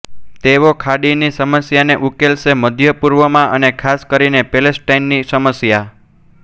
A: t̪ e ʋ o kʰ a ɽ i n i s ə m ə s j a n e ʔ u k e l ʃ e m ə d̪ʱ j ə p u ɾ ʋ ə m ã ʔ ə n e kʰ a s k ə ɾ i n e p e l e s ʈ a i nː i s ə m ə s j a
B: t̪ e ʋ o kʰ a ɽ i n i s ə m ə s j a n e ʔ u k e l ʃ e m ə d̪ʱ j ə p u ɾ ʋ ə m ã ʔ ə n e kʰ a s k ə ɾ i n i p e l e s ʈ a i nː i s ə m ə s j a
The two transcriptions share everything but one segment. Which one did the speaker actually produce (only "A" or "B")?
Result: A